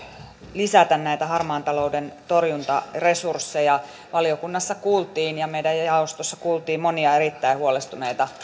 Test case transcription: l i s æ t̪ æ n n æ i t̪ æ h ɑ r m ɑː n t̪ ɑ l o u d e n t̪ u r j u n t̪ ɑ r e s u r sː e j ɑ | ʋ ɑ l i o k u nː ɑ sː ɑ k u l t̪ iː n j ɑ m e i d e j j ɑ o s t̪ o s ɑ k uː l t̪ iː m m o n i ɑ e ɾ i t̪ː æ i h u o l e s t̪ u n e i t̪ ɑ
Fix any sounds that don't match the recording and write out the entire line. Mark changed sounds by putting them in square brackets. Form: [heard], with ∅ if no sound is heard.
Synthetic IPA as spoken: l i s æ t̪ æ n n æ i t̪ æ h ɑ r m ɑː n t̪ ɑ l o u d e n t̪ [o] r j u n t̪ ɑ r e s u r sː e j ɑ | ʋ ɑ l i o k u nː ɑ sː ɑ k [uː] l t̪ iː n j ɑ m e i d [æ] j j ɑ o s t̪ o [sː] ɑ k uː l t̪ iː m m o n i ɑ e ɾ i t̪ː æ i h u o l e s t̪ u n e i t̪ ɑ